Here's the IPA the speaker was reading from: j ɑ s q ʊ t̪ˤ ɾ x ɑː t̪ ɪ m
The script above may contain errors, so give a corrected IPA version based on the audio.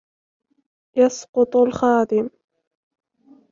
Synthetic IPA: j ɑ s q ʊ t̪ˤ l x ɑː d̪ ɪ m

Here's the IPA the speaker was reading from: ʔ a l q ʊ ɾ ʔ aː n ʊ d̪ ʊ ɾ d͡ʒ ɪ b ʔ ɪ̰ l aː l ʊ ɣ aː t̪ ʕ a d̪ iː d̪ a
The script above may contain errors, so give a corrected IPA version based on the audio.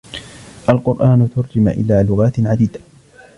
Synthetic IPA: ʔ a l q ʊ ɾ ʔ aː n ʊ t̪ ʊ ɾ d͡ʒ ɪ m ʔ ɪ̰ l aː l ʊ ɣ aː t̪ ʕ a d̪ iː d̪ a

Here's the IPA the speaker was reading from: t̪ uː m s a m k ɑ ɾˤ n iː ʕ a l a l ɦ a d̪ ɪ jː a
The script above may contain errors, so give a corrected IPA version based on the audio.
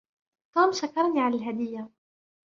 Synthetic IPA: t̪ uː m ʃ a k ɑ ɾˤ n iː ʕ a l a l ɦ a d̪ ɪ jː a

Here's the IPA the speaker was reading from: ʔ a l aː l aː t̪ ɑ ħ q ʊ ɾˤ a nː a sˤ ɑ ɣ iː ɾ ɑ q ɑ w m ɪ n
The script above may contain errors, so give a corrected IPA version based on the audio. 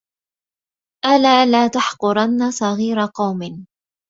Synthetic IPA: ʔ a l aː l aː t̪ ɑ ħ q ʊ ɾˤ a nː a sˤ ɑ ɣ iː ɾ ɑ q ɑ w m ɪ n

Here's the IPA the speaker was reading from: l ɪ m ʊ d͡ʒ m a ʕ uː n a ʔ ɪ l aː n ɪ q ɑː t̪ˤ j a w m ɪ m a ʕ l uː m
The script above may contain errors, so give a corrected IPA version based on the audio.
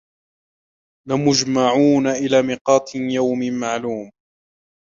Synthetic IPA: l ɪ m ʊ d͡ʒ m a ʕ uː n a ʔ ɪ l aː m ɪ q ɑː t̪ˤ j a w m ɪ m a ʕ l uː m

